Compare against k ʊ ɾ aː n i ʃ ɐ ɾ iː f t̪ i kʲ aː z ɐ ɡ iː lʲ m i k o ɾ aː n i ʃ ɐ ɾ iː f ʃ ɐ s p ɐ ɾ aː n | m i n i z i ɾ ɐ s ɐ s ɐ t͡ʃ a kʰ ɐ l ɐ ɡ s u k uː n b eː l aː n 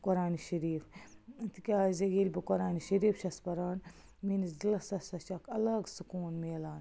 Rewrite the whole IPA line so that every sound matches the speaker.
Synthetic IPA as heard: k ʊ ɾ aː n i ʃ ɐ ɾ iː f t̪ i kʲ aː z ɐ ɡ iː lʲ b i k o ɾ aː n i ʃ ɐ ɾ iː f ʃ ɐ s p ɐ ɾ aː n | m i n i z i l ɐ s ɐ s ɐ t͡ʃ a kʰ ɐ l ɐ ɡ s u k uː n m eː l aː n